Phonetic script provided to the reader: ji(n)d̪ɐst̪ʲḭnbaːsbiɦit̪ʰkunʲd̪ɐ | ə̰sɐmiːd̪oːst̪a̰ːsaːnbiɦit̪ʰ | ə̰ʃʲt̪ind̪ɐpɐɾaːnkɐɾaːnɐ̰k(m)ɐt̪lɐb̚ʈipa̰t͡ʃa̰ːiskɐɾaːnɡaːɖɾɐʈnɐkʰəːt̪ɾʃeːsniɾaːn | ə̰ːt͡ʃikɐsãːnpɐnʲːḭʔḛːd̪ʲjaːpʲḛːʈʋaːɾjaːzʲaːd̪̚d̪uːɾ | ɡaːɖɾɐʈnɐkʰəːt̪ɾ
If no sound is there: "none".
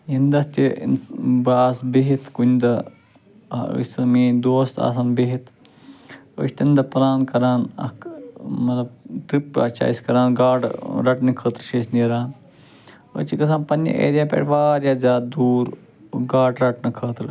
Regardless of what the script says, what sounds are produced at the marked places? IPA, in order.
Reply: n, m

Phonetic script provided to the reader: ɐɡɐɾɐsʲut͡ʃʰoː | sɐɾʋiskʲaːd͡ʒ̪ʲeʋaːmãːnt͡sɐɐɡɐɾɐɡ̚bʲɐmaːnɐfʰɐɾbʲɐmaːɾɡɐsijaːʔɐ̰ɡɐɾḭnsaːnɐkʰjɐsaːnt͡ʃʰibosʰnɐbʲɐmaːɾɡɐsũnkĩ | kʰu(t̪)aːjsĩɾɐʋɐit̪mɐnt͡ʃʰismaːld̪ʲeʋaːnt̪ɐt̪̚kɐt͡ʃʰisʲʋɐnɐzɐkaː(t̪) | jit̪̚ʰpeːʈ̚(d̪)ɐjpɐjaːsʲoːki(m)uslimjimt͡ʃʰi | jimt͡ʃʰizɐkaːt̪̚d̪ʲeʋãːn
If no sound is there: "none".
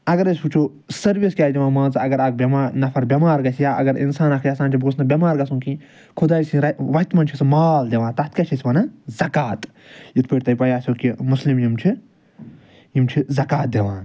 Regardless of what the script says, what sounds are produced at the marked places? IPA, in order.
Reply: d̪, t̪, t̪, m

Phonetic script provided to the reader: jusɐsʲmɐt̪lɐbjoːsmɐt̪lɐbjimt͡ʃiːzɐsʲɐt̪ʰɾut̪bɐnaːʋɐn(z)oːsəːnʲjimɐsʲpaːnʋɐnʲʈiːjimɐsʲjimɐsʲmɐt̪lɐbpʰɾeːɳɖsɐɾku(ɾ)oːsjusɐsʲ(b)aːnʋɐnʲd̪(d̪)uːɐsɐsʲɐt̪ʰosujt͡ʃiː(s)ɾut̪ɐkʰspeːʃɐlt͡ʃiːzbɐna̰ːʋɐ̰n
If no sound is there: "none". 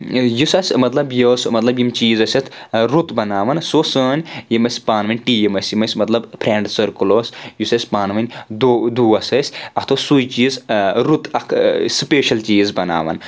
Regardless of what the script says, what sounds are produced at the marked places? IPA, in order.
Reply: s, l, p, d̪, z

